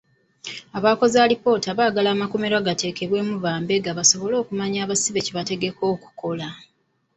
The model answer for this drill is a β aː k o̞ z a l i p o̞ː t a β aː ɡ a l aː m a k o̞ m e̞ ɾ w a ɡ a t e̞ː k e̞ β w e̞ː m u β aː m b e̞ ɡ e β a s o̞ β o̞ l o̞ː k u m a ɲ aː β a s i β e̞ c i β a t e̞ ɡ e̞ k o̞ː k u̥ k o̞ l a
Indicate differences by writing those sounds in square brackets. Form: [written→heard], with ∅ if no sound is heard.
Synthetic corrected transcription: a β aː k o̞ z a l i p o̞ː t a β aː ɡ a l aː m a k o̞ m e̞ ɾ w a ɡ a t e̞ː k e̞ β w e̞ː m u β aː m b e̞ ɡ [e→a] β a s o̞ β o̞ l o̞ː k u m a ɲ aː β a s i β e̞ c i β a t e̞ ɡ e̞ k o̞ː k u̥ k o̞ l a

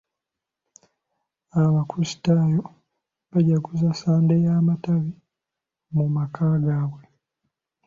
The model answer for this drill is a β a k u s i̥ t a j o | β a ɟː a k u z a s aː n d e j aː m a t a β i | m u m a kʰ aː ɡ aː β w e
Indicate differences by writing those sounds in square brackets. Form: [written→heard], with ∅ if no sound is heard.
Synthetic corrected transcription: a β a k u s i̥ t a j o | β a [ɟː→ɟ] a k u z a s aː n d e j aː m a t a β i | m u m a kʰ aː ɡ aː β w e

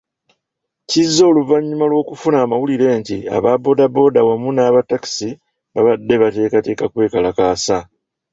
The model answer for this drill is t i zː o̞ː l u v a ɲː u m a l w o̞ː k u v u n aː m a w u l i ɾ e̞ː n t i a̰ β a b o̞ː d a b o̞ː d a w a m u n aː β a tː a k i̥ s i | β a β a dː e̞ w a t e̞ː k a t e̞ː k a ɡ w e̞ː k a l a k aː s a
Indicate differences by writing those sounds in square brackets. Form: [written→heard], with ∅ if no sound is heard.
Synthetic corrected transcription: [t→c] i zː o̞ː l u v a ɲː u m a l w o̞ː k u [v→f] u n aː m a w u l i ɾ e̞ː n t i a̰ β a b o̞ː d a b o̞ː d a w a m u n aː β a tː a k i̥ s i | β a β a dː e̞ [w→β] a t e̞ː k a t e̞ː k a [ɡ→k] w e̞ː k a l a k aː s a

